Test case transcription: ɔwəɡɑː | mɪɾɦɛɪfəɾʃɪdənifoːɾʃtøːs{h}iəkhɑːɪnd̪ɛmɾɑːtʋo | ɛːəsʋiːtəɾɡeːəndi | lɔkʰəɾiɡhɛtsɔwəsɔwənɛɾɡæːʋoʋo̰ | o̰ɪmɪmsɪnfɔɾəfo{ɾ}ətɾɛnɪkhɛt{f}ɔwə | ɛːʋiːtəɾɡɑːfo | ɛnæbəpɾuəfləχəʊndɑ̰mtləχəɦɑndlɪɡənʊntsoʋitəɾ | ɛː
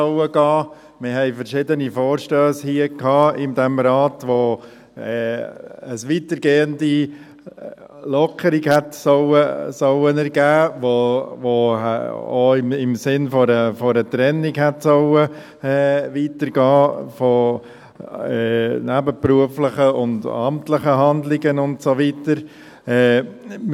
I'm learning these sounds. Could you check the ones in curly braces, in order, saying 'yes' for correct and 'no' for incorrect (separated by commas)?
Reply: yes, yes, no